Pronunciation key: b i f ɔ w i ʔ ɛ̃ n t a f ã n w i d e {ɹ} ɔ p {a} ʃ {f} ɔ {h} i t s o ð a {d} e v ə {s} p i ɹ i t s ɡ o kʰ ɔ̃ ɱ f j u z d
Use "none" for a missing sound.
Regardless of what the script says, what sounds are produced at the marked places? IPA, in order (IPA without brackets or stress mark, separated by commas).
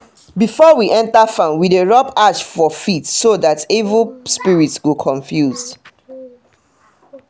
ɹ, a, f, f, t, s